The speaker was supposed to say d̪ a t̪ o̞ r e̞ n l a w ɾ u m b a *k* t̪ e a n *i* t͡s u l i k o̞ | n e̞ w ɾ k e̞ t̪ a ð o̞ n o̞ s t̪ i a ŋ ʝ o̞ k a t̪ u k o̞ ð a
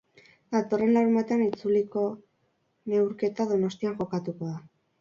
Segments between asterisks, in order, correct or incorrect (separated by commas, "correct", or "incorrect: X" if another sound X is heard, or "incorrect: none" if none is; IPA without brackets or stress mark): incorrect: none, correct